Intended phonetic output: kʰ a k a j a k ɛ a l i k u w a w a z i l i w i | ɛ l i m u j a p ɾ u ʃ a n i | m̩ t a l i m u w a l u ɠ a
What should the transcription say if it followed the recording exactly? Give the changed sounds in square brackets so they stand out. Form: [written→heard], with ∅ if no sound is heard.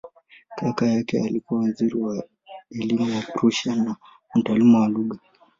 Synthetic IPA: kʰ a k a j a k ɛ a l i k u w a w a z i [l→ɾ] i w [i→a] | ɛ l i m u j a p ɾ u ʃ a n [i→a] | m̩ t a l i m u w a l u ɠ a